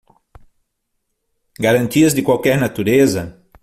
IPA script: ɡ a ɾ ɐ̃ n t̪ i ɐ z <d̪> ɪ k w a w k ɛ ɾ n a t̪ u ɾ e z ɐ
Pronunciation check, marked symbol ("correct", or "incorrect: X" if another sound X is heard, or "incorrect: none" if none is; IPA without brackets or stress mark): correct